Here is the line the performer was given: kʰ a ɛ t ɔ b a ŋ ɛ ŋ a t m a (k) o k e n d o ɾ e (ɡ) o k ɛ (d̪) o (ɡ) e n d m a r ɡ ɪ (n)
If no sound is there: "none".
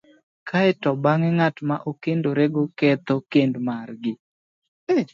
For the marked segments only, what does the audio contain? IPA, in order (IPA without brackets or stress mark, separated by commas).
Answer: ʔ, ɡ, t̪, k, none